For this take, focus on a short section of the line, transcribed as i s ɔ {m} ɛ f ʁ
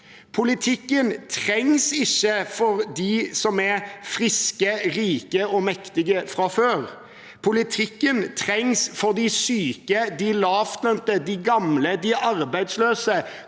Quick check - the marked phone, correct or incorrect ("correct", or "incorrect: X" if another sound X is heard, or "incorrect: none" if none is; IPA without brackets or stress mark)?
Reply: correct